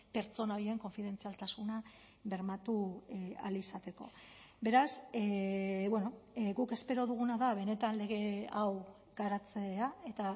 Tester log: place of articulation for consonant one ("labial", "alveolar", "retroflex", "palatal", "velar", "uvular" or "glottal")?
labial